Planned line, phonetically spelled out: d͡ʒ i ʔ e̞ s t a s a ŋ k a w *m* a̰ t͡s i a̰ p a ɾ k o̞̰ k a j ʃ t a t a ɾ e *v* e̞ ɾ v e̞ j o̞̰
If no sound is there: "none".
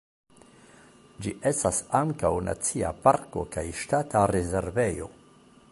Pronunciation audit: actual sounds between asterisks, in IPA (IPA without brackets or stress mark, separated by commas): n, z